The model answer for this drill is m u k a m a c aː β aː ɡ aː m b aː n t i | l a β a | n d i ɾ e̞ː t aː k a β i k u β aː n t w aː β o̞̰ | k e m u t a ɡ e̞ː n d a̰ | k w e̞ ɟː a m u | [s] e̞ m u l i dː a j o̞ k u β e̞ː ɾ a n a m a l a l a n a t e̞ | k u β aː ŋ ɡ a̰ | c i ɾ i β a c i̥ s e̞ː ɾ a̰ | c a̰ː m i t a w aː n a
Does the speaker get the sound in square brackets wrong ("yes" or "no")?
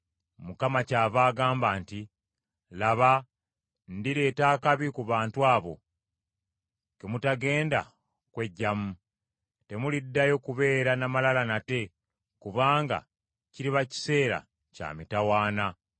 yes